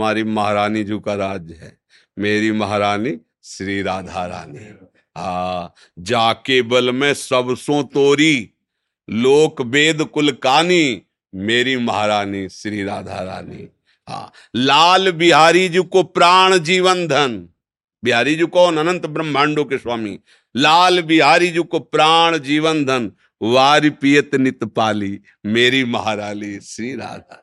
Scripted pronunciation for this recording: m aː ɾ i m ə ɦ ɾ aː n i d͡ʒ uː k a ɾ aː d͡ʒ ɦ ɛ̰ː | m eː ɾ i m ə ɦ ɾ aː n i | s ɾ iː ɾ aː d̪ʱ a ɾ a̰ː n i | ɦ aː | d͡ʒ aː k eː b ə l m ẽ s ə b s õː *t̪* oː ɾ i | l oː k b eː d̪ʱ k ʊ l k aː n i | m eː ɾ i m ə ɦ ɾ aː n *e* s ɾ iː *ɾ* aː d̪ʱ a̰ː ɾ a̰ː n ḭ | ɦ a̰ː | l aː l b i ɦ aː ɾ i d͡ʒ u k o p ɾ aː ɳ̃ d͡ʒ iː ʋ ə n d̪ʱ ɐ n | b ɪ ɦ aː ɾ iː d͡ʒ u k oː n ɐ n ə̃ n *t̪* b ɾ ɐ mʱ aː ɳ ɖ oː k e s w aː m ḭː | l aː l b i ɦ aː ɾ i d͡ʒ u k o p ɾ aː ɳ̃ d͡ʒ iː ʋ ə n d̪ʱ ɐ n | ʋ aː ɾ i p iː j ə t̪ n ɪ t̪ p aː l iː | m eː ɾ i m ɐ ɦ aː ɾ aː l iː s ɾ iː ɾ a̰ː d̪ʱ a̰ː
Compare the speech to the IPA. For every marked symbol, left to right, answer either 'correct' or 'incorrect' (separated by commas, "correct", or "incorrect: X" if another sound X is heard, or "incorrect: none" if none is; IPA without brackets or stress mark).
correct, incorrect: i, correct, correct